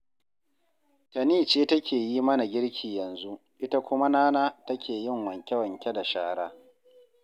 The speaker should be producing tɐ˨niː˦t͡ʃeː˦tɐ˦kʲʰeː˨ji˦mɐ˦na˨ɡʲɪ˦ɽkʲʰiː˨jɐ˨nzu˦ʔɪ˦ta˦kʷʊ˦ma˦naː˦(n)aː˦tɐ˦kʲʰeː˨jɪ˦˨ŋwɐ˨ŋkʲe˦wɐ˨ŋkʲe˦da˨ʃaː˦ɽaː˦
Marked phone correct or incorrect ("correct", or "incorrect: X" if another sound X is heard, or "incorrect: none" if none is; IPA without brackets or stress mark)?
correct